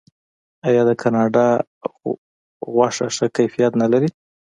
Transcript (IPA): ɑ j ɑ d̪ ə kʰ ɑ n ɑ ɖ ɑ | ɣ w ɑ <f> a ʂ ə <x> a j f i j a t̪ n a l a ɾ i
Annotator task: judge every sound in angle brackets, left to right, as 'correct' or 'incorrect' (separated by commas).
incorrect, incorrect